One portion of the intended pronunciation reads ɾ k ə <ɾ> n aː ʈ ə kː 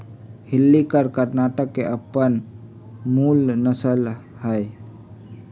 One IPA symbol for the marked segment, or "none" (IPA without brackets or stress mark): ɾ